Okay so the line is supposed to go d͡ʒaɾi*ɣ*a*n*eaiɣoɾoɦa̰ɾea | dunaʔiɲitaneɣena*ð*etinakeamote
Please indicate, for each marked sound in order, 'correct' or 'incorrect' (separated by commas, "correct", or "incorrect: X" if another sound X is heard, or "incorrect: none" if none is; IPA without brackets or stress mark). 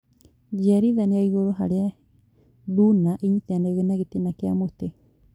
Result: incorrect: ð, correct, incorrect: ɣ